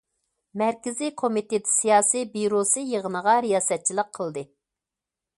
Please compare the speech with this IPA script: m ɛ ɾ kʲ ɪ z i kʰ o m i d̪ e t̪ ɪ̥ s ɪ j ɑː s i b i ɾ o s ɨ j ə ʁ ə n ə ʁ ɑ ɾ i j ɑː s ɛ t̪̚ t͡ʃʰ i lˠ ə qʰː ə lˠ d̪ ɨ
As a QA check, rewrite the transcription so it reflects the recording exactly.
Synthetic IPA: m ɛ ɾ kʲ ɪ z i kʰ o m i t̪ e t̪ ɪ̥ s i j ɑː s i b i ɾ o s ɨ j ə ʁ ə n ə ʁ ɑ ɾ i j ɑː s ɛ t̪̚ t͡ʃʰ i lˠ ə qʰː ə lˠ d̪ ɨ